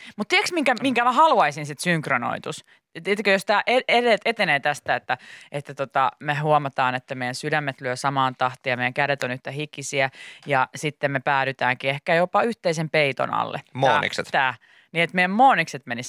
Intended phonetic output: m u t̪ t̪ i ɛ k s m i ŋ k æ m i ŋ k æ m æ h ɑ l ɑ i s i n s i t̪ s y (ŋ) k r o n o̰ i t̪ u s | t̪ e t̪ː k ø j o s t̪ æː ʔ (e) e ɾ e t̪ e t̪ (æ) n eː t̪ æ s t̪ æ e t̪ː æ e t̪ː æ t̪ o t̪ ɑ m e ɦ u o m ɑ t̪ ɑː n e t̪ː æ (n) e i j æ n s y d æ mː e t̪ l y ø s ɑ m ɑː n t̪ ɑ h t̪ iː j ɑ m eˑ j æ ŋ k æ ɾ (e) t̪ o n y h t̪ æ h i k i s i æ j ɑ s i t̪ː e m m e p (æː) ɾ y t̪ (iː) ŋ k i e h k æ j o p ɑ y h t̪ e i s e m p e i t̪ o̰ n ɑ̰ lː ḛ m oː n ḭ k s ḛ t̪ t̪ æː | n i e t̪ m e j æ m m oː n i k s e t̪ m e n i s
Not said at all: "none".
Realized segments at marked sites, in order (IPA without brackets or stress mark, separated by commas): ŋ, e, e, m, e, æː, æː